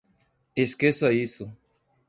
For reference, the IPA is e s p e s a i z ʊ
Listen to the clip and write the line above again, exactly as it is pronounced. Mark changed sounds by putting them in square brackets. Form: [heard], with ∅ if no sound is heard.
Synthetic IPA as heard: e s [k] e s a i [s] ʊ